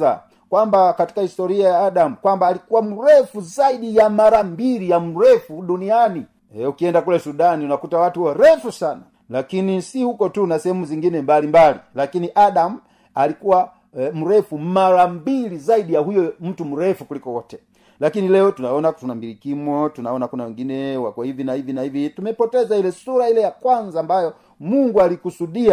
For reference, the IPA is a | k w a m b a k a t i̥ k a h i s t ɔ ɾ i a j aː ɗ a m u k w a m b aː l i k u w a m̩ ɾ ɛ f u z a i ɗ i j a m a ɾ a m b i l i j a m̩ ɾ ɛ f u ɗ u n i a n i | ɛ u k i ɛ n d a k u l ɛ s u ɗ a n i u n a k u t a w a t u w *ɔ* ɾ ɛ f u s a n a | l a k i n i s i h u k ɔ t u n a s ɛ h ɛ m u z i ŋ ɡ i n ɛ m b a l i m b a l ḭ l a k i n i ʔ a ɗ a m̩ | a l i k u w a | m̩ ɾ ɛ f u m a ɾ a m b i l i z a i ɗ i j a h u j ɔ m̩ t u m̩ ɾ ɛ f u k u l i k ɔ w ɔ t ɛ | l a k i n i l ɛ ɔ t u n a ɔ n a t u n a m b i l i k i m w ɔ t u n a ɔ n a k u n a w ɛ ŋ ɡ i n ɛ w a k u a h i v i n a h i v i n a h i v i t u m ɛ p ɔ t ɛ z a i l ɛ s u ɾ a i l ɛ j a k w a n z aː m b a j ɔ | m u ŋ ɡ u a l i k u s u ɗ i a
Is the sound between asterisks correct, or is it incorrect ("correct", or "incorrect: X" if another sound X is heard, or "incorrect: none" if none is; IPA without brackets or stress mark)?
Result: correct